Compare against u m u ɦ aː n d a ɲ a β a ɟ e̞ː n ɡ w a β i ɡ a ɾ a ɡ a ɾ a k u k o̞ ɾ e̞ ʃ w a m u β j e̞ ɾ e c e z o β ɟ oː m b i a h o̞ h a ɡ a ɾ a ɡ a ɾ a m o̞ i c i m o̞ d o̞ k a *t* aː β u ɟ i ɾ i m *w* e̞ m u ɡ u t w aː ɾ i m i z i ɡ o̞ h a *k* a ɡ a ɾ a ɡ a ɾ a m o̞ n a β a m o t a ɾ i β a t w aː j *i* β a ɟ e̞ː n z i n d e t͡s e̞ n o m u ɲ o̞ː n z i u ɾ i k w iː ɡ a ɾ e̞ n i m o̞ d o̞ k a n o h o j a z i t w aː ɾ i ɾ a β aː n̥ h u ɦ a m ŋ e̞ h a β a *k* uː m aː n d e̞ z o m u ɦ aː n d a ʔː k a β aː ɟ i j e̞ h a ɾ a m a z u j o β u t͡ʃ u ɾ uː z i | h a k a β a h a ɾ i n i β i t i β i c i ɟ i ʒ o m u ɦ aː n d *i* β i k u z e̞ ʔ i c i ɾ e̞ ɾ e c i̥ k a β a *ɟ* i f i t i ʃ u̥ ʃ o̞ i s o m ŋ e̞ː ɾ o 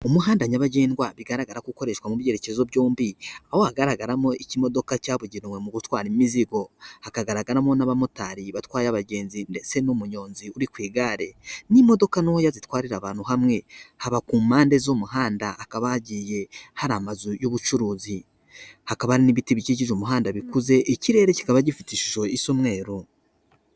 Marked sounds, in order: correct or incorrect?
incorrect, correct, correct, incorrect, correct, incorrect, correct

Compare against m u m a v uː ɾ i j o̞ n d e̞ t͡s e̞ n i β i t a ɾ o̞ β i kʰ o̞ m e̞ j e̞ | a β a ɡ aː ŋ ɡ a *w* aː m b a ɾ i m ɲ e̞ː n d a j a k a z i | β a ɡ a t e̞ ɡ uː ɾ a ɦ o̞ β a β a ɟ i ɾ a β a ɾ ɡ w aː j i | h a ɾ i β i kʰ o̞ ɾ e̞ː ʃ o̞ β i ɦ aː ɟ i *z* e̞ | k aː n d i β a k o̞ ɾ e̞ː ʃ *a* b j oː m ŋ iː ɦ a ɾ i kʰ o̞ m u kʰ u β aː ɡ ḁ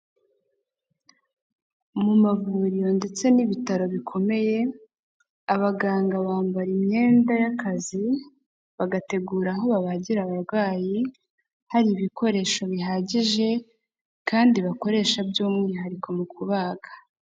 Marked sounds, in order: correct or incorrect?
incorrect, incorrect, correct

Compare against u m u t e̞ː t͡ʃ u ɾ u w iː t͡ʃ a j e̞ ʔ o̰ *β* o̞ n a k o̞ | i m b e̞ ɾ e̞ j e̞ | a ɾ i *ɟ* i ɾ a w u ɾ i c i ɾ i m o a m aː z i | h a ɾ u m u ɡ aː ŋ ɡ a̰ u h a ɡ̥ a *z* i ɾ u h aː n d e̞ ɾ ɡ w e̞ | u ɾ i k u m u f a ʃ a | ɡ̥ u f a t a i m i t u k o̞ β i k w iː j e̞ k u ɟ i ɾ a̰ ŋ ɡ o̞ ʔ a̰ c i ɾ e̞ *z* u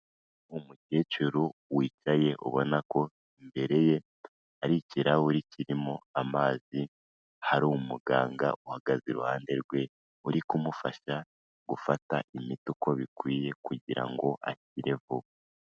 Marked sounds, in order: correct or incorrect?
correct, incorrect, correct, incorrect

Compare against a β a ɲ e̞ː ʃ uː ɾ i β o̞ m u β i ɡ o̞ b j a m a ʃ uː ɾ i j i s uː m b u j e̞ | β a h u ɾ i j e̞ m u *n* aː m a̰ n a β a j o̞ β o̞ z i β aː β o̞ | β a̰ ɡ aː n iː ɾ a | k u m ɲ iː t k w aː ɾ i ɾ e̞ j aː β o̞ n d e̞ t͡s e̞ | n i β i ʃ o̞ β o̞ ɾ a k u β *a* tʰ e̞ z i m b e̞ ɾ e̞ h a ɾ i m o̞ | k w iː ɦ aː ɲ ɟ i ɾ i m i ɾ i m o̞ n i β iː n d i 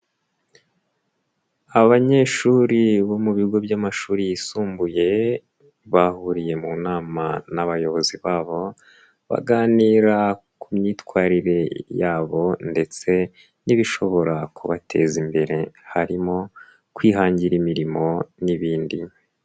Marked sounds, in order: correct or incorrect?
correct, correct

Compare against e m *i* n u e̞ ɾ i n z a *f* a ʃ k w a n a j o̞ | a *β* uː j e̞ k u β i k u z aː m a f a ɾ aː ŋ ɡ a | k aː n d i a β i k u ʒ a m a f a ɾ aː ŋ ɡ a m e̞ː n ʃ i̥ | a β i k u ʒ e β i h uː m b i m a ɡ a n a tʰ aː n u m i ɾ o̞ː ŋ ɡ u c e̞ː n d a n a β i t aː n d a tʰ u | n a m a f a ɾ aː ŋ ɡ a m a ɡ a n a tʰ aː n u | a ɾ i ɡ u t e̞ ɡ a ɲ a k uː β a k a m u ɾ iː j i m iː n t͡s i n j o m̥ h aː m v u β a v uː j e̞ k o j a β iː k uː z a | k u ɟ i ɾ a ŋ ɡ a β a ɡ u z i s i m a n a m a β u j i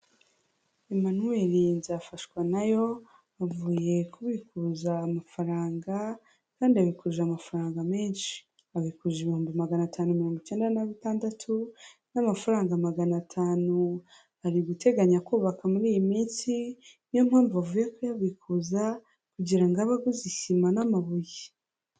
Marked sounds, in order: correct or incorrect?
incorrect, correct, incorrect

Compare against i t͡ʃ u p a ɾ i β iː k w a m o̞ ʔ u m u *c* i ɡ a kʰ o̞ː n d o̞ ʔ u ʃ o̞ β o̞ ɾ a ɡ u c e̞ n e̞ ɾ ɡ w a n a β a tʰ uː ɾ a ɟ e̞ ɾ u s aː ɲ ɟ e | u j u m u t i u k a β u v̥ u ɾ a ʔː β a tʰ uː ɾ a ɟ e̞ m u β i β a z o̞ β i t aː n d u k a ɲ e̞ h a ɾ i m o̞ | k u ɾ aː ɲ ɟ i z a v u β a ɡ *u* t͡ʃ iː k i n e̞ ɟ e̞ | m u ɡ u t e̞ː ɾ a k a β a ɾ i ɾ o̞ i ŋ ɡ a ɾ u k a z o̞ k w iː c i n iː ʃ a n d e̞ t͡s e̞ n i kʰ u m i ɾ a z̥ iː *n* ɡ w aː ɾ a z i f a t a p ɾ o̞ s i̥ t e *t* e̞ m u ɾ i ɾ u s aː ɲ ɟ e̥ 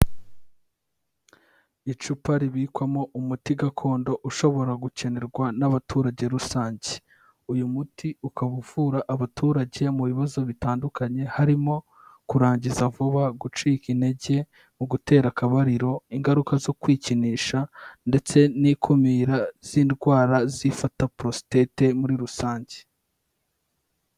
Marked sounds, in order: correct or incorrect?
incorrect, correct, correct, correct

